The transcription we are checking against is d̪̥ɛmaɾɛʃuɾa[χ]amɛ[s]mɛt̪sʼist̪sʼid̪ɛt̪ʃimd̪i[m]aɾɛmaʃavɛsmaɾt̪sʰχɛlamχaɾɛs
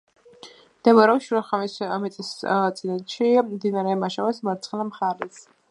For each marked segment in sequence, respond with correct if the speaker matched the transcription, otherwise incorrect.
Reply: correct, correct, incorrect

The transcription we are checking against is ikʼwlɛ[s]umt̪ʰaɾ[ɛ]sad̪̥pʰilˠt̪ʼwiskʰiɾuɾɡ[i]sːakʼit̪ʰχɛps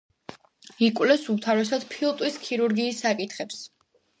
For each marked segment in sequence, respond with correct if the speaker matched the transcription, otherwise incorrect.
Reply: correct, correct, incorrect

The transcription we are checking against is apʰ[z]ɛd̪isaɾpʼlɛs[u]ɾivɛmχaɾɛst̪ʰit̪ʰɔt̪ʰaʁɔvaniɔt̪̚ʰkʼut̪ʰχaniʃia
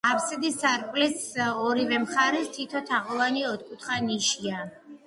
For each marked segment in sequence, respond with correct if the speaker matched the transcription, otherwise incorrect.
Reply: incorrect, incorrect

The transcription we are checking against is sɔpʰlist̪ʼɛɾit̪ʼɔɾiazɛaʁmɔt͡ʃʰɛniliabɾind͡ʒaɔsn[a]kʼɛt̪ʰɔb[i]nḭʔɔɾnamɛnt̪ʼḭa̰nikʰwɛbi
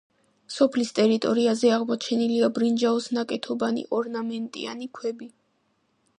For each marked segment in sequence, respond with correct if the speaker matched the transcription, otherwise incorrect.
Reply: correct, incorrect

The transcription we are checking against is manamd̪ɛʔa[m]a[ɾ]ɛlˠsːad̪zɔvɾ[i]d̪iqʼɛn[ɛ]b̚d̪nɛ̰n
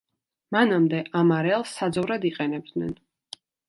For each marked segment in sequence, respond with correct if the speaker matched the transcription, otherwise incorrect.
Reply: correct, correct, incorrect, correct

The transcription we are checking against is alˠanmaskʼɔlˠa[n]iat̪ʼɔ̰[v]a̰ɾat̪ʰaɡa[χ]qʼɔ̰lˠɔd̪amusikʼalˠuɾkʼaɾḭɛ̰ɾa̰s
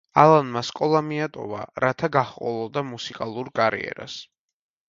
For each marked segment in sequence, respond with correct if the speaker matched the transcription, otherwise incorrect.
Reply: incorrect, correct, correct

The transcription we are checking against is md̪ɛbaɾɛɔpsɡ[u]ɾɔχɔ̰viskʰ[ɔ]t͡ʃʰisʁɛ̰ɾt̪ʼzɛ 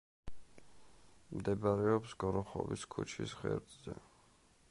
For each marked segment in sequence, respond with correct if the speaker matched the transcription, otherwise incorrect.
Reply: incorrect, incorrect

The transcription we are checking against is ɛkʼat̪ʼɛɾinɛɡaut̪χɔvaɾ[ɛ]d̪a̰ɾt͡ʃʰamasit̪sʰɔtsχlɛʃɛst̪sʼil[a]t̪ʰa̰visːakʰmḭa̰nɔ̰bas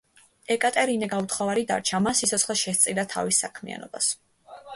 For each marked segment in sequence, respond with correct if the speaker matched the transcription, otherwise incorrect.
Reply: incorrect, correct

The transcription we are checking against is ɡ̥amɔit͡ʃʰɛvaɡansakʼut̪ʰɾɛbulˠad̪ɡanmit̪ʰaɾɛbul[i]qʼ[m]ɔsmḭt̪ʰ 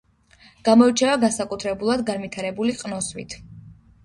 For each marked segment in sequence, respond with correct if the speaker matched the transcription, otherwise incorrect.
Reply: correct, incorrect

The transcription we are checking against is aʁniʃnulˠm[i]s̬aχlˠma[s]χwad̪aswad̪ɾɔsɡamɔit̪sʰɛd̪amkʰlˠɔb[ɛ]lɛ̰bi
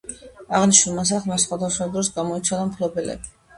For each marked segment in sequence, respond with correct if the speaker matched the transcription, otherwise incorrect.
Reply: incorrect, correct, correct

